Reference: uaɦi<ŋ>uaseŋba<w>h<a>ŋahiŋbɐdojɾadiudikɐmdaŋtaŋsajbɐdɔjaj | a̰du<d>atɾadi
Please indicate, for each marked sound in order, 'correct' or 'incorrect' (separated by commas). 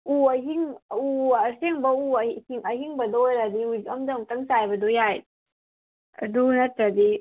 correct, incorrect, incorrect, incorrect